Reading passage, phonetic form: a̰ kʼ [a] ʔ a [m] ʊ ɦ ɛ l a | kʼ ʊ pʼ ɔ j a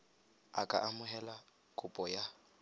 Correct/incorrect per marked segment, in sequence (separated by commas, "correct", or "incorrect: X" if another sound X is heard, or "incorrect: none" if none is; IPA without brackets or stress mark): correct, correct